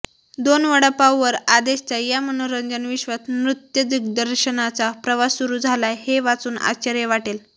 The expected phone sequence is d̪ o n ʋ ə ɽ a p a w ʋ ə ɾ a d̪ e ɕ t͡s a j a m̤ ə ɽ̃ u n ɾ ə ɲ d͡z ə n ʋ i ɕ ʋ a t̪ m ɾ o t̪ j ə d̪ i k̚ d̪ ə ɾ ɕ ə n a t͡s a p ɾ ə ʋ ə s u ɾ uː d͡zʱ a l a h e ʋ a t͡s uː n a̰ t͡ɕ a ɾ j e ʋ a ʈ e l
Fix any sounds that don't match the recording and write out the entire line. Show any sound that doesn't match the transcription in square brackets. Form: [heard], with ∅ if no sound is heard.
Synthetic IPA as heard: d̪ o n ʋ ə ɽ a p a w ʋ ə ɾ a d̪ e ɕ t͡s a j a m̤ ə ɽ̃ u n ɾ ə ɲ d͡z ə n ʋ i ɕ ʋ a t̪ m ɾ [u] t̪ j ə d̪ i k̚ d̪ ə ɾ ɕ ə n a t͡s a p ɾ ə ʋ [a] s u ɾ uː d͡zʱ a l a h e ʋ a t͡s uː n a̰ t͡ɕ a ɾ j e ʋ a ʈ e l

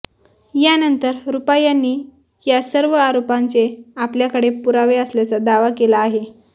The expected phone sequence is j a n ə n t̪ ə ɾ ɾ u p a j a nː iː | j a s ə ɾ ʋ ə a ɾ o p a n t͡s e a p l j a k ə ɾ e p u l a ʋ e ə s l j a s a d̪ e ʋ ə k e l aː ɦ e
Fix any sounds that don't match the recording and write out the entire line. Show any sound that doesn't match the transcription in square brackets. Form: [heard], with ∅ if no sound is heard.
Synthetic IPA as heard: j a n ə n t̪ ə ɾ ɾ u p a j a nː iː | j a s ə ɾ ʋ ə a ɾ o p a n t͡s e a p l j a k ə [ɽ] e p u [ɾ] a ʋ e ə s l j a [t͡s] a d̪ [a] ʋ [a] k e l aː ɦ e

